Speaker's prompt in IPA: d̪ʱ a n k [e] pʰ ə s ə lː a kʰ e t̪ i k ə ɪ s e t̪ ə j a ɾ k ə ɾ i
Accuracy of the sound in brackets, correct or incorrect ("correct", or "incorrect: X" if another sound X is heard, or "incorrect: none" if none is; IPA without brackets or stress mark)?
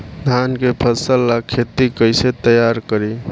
correct